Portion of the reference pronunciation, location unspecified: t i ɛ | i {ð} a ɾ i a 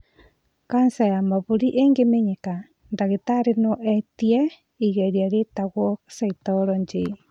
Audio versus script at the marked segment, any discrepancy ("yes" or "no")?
yes